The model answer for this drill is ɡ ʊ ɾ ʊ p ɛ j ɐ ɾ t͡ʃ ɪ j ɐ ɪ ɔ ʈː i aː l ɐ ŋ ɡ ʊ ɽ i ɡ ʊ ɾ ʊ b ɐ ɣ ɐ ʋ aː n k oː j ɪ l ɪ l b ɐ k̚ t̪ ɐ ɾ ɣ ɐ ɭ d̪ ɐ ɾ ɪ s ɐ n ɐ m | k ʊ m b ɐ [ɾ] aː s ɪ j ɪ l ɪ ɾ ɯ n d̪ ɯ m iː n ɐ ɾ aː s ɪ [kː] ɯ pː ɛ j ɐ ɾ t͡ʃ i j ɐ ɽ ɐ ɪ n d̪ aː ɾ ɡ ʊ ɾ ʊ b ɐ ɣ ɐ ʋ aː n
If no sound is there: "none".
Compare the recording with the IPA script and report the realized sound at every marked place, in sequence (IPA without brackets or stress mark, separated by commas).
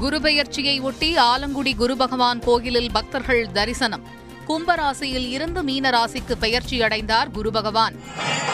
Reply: ɾ, kː